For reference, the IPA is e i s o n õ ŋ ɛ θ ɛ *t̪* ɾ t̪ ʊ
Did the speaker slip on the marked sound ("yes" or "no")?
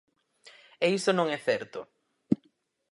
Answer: yes